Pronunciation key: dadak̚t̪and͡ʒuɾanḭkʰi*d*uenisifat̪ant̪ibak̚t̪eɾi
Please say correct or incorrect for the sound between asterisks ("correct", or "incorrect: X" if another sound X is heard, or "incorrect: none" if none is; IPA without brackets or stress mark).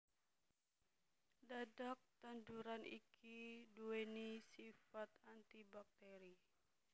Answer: correct